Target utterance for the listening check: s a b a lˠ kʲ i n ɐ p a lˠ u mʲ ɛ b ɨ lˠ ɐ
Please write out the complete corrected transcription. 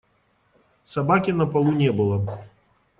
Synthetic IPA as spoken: s a b a kʲ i n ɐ p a lˠ u nʲ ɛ b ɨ lˠ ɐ